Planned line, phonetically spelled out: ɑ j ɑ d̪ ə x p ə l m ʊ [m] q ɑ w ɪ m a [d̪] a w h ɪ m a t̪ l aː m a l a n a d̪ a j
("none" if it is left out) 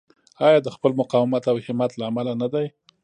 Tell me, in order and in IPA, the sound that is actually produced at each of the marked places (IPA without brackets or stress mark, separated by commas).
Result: none, t̪